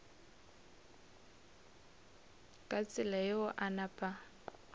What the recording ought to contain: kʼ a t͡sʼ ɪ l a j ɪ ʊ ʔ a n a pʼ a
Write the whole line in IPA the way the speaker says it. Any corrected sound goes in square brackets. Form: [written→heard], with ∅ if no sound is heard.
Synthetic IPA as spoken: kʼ a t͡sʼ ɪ l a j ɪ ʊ ʔ a n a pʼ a